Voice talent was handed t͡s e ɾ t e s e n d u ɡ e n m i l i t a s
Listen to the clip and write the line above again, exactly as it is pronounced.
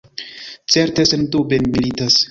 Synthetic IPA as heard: t͡s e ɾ t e s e n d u b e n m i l i t a s